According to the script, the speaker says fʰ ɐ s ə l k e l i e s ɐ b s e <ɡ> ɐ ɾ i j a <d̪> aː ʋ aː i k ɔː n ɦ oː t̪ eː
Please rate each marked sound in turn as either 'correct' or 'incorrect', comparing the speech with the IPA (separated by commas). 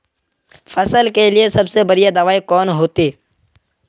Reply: incorrect, correct